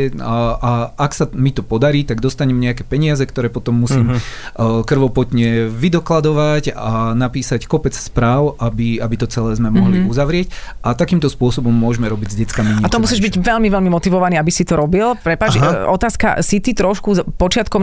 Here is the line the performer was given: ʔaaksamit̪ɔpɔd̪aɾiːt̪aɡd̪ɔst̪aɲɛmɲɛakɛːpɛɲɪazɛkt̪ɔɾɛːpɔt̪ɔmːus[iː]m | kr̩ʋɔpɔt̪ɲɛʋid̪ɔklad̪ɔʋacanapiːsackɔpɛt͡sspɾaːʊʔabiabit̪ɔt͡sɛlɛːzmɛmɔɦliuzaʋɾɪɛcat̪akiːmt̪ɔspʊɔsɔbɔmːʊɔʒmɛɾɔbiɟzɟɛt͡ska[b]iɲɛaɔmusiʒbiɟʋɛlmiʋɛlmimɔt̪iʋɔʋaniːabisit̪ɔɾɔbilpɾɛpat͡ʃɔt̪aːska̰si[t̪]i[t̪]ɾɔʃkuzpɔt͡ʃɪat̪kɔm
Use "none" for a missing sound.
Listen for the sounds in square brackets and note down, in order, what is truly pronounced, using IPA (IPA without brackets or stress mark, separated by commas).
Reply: iː, m, t̪, t̪